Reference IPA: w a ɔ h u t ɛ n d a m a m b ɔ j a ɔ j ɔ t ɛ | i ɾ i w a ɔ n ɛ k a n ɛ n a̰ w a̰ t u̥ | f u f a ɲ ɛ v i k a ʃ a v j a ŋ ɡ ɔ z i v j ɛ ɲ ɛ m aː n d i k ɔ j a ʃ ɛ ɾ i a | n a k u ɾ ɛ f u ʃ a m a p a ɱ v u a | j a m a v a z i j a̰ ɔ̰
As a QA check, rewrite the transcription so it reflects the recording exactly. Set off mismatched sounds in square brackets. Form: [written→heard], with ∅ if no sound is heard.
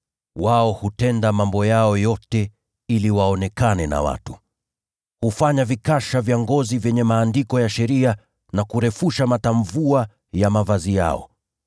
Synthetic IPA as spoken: w a ɔ h u t ɛ n d a m a m b ɔ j a ɔ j ɔ t ɛ | i [ɾ→l] i w a ɔ n ɛ k a n ɛ n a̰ w a̰ t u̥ | [f→h] u f a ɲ [ɛ→a] v i k a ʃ a v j a ŋ ɡ ɔ z i v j ɛ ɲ ɛ m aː n d i k ɔ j a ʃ ɛ ɾ i a | n a k u ɾ ɛ f u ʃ a m a [p→t] a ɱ v u a | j a m a v a z i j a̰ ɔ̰

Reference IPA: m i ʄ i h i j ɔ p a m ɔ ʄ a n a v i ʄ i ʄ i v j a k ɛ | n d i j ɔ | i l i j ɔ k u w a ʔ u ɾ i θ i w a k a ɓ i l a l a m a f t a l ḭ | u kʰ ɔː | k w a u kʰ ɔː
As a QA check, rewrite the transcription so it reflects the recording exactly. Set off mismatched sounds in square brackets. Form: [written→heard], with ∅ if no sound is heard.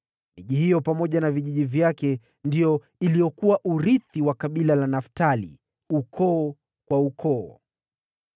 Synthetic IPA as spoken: m i ʄ i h i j ɔ p a m ɔ ʄ a n a v i ʄ i ʄ i v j a k ɛ | n d i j ɔ | i l i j ɔ k u w a ʔ u ɾ i θ i w a k a ɓ i l a l a [m→n] a f t a l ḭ | u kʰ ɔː | k w a u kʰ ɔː

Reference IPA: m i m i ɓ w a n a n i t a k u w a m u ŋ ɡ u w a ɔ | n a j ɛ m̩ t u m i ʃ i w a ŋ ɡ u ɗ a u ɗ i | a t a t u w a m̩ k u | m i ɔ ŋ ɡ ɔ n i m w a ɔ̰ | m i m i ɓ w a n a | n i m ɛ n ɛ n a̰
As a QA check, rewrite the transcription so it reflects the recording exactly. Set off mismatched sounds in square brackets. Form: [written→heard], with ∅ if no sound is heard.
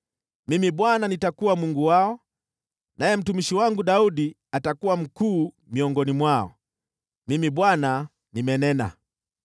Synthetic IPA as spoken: m i m i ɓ w a n a n i t a k u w a m u ŋ ɡ u w a ɔ | n a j ɛ m̩ t u m i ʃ i w a ŋ ɡ u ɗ a u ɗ i | a t a [t→k] u w a m̩ k [u→uː] | m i ɔ ŋ ɡ ɔ n i m w a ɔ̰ | m i m i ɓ w a n a | n i m ɛ n ɛ n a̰

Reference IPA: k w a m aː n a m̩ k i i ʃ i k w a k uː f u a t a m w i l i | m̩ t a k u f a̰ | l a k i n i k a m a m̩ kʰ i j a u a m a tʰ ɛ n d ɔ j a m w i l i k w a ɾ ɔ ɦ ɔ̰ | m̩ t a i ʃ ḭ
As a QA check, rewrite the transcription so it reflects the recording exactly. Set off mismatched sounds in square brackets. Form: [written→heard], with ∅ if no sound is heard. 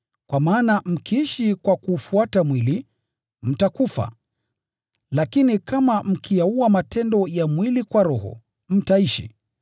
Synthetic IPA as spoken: k w a m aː n a m̩ k i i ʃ i k w a k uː f u a t a m w i l i | m̩ t a k u f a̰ | l a k i n i k a m a m̩ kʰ i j a u a m a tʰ ɛ n d ɔ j a m w i l i k w a ɾ ɔ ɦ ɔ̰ | m̩ t a i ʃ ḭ

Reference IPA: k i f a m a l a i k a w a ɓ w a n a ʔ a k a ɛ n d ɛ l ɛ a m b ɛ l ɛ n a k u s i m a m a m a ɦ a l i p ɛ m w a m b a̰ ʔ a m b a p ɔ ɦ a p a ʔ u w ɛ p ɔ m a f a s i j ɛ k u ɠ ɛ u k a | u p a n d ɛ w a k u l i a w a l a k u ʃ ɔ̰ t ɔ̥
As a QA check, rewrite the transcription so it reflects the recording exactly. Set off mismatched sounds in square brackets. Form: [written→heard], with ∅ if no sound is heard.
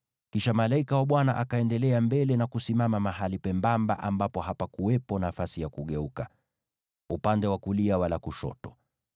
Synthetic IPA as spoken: k i [f→ʃ] a m a l a i k a w a ɓ w a n a ʔ a k a ɛ n d ɛ l ɛ a m b ɛ l ɛ n a k u s i m a m a m a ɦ a l i p ɛ m [w→b] a m b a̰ ʔ a m b a p ɔ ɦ a p a [ʔ→k] u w ɛ p ɔ [m→n] a f a s i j [ɛ→a] k u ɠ ɛ u k a | u p a n d ɛ w a k u l i a w a l a k u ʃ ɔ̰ t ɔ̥

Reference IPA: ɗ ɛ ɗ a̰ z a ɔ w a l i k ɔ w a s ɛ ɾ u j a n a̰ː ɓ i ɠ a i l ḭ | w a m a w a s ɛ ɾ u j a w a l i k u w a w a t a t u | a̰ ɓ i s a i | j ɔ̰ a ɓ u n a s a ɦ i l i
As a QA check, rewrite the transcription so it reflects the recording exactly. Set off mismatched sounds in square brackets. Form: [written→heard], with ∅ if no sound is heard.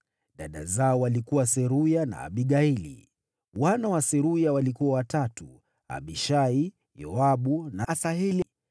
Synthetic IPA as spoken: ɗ [ɛ→a] ɗ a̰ z a ɔ w a l i k [ɔ→u] w a s ɛ ɾ u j a n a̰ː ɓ i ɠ a i l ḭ | w a [m→n] a w a s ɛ ɾ u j a w a l i k u w a w a t a t u | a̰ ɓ i [s→ʃ] a i | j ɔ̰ a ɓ u n a s a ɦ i l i

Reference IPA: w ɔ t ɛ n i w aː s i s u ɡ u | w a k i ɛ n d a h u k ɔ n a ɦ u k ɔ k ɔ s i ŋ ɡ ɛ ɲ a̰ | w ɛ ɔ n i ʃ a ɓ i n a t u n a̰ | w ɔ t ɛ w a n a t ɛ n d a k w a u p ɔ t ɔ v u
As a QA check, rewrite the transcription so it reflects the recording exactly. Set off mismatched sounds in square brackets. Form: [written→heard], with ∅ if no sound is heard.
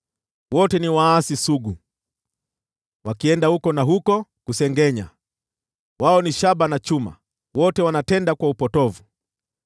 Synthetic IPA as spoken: w ɔ t ɛ n i w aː s i s u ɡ u | w a k i ɛ n d a h u k ɔ n a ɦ u k ɔ k [ɔ→u] s [i→ɛ] ŋ ɡ ɛ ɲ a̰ | w [ɛ→a] ɔ n i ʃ a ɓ [i→a] n a [t→t͡ʃ] u [n→m] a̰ | w ɔ t ɛ w a n a t ɛ n d a k w a u p ɔ t ɔ v u

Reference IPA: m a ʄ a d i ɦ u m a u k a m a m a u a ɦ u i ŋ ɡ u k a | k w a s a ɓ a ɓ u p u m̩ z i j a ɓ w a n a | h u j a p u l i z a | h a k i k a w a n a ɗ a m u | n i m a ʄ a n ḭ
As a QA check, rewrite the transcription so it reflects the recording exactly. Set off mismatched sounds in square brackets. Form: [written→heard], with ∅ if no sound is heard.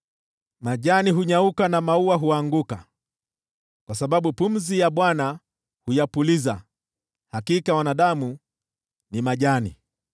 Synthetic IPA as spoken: m a ʄ a [d→n] i ɦ u [m→ɲ] a u k a [m→n] a m a u a ɦ u [i→a] ŋ ɡ u k a | k w a s a ɓ a ɓ u p u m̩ z i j a ɓ w a n a | h u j a p u l i z a | h a k i k a w a n a ɗ a m u | n i m a ʄ a n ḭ

